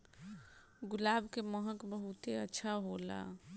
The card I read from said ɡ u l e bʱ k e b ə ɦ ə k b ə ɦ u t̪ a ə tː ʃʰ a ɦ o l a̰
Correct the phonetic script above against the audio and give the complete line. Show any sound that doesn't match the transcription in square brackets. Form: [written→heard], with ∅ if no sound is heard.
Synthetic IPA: ɡ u l [e→a] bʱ k e [b→m] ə ɦ ə k b ə ɦ u t̪ [a→e] ə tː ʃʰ a ɦ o l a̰

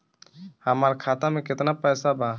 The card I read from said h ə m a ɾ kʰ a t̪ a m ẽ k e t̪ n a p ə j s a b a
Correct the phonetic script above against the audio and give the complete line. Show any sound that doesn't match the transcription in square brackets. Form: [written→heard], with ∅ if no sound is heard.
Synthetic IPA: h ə m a ɾ kʰ a t̪ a m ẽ k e t̪ n a p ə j s a b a

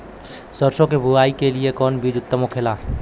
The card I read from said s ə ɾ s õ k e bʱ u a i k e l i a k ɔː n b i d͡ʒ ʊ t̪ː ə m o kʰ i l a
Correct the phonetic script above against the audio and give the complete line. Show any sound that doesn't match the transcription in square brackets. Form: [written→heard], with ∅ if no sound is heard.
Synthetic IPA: s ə ɾ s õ k e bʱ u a i k e l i [a→e] k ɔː n b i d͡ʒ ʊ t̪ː ə m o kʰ [i→e] l a

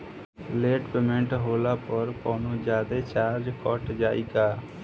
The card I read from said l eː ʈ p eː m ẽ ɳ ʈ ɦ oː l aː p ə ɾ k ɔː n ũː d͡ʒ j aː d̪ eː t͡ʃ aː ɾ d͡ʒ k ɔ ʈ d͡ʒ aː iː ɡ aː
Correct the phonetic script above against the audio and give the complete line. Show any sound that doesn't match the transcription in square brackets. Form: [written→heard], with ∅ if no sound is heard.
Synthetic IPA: l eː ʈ p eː m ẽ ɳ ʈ ɦ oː l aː p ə ɾ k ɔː n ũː d͡ʒ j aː d̪ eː t͡ʃ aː ɾ d͡ʒ k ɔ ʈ d͡ʒ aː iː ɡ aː

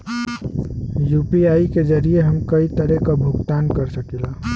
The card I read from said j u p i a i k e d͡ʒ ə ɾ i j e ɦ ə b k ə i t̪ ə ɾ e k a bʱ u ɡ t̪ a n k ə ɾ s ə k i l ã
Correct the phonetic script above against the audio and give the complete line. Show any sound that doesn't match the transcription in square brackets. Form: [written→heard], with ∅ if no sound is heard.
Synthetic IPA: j u p i a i k e d͡ʒ ə ɾ i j e ɦ ə [b→m] k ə i t̪ ə ɾ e k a bʱ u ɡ t̪ a n k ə ɾ s ə k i l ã

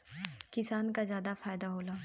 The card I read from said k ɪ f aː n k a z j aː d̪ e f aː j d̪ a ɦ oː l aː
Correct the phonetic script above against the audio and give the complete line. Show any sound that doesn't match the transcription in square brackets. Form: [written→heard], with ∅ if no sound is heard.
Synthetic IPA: k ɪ [f→s] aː n k a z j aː d̪ [e→a] f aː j d̪ a ɦ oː l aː

